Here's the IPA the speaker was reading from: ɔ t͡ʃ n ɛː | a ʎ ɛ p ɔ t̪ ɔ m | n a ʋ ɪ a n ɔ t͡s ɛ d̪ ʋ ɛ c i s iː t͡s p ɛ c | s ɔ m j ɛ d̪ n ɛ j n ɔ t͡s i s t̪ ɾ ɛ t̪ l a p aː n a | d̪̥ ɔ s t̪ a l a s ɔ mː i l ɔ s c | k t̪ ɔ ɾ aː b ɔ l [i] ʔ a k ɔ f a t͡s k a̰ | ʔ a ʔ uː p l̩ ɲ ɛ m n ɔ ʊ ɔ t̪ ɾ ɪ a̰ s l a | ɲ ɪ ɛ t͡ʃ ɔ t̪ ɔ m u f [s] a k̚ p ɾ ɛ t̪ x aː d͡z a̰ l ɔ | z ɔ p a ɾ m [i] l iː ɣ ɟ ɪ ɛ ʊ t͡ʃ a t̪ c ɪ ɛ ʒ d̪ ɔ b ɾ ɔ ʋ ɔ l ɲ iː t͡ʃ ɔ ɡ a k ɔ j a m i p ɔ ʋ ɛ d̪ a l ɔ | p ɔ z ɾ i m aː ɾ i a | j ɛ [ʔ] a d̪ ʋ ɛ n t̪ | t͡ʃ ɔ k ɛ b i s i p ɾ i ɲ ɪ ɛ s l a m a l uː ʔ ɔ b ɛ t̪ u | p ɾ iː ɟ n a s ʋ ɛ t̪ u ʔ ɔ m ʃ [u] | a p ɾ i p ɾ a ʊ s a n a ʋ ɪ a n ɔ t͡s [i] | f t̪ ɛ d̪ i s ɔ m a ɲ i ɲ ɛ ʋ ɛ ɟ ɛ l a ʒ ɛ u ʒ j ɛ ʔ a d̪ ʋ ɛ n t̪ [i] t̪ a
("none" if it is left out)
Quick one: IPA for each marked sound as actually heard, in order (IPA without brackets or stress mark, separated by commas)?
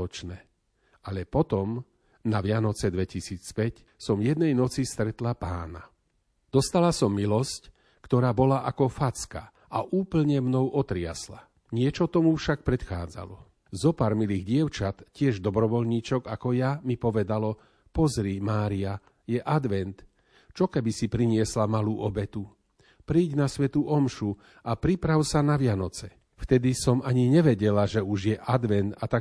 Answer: a, ʃ, i, ʔ, u, ɛ, a